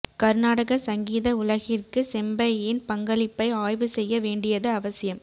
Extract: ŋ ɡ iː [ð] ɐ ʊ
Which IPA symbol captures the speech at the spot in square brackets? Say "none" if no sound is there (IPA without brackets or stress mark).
ð